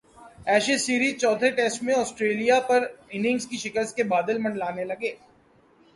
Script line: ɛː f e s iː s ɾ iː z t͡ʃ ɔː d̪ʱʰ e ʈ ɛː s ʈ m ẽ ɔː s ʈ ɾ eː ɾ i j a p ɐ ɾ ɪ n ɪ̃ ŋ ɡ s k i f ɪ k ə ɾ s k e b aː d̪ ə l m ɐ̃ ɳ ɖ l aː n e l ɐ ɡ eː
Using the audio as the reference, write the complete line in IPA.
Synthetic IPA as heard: ɛː ʃ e s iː ɾ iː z t͡ʃ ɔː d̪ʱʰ e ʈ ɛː s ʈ m ẽ ɔː s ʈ ɾ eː l i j a p ɐ ɾ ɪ n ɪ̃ ŋ ɡ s k i ʃ ɪ k ə ɾ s k e b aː d̪ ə l m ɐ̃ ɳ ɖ l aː n e l ɐ ɡ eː